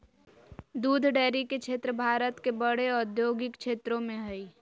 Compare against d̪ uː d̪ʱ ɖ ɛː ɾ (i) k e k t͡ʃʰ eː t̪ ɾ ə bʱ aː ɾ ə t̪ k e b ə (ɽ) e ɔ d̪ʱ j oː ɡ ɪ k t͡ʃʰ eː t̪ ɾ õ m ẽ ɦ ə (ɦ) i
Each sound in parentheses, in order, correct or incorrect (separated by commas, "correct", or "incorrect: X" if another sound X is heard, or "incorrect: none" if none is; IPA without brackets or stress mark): correct, correct, incorrect: none